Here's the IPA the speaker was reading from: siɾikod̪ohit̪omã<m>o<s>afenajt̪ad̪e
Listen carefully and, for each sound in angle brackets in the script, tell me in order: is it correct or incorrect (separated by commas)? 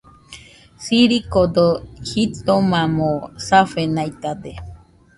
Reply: correct, correct